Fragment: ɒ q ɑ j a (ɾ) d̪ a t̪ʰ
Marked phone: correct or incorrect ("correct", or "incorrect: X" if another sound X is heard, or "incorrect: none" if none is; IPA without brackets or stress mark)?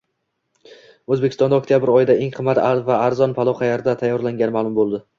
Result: correct